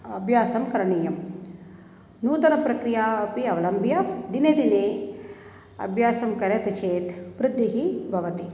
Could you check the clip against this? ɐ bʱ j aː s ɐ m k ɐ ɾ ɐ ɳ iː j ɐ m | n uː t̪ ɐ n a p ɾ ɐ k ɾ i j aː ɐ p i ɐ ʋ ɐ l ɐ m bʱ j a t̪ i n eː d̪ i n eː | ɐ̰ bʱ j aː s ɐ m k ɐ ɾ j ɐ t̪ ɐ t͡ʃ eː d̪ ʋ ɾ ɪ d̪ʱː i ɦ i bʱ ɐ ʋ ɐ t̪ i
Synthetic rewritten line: ɐ bʱ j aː s ɐ m k ɐ ɾ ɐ ɳ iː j ɐ m | n uː t̪ ɐ n ɐ p ɾ ɐ k ɾ i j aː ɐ p i ɐ ʋ ɐ l ɐ m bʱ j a d̪ i n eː d̪ i n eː | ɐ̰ bʱ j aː s ɐ m k ɐ ɾ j ɐ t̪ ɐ t͡ʃ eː t̪ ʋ ɾ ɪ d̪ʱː i ɦ i bʱ ɐ ʋ ɐ t̪ i